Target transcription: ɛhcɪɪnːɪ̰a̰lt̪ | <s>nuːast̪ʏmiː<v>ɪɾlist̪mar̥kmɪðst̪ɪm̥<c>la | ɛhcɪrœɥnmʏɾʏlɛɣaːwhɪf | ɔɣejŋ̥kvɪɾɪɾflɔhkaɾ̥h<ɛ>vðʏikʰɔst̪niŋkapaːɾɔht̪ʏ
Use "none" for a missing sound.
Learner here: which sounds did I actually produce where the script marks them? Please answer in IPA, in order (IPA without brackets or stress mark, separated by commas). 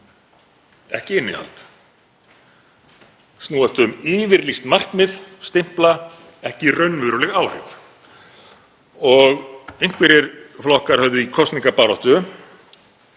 s, v, p, œ